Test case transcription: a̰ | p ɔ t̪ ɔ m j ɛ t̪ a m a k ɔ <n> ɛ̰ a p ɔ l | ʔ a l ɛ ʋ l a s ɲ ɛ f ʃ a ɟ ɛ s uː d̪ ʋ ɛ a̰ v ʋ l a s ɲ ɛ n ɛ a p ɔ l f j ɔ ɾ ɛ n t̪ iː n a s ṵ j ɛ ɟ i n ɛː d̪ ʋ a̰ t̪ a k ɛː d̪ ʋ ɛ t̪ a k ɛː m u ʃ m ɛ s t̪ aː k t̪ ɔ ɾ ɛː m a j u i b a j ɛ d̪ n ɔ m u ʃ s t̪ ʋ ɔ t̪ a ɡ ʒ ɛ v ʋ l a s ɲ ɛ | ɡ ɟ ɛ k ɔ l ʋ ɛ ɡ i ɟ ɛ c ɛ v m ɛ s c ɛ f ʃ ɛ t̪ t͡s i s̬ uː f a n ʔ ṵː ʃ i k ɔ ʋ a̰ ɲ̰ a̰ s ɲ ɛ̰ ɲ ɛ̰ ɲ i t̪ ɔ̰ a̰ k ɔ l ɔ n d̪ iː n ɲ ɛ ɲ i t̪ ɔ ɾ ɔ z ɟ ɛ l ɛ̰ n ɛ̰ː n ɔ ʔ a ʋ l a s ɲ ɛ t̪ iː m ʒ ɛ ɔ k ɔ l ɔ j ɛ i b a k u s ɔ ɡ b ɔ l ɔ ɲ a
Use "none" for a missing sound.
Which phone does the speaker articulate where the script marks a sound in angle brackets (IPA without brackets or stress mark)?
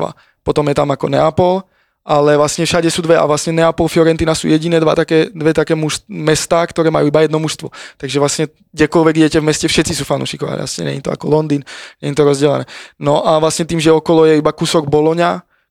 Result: n